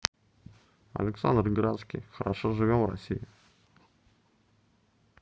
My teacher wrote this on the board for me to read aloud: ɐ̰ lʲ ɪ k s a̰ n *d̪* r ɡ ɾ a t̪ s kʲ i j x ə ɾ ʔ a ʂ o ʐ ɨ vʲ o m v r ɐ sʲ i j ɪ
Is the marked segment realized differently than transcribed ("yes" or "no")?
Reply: no